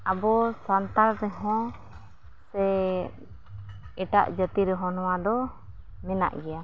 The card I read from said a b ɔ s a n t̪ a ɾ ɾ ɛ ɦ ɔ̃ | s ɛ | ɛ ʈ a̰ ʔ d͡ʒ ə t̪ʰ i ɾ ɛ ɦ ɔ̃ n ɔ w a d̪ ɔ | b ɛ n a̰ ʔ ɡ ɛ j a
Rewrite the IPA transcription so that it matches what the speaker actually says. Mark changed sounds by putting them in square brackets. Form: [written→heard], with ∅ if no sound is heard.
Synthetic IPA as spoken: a b ɔ s a n t̪ a ɾ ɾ ɛ ɦ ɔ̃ | s ɛ | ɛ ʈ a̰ ʔ d͡ʒ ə [t̪ʰ→t̪] i ɾ ɛ ɦ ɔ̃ n ɔ w a d̪ ɔ | [b→m] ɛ n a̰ ʔ ɡ ɛ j a